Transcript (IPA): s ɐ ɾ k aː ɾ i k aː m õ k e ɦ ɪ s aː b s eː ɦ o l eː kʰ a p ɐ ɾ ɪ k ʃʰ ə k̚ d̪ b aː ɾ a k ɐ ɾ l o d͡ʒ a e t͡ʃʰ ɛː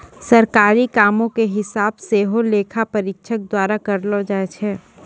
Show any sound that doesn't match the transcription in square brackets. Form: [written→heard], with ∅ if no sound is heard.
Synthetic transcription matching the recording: s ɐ ɾ k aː ɾ i k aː m õ k e ɦ ɪ s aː b s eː ɦ o l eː kʰ a p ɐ ɾ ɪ k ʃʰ ə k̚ d̪ [b→w] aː ɾ a k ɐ ɾ l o d͡ʒ a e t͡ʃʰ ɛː